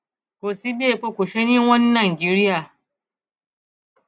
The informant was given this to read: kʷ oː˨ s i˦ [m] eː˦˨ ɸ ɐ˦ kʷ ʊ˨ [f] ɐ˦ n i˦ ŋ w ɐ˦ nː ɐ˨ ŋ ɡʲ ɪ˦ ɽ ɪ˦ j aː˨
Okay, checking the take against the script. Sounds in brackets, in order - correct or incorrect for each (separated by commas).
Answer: incorrect, incorrect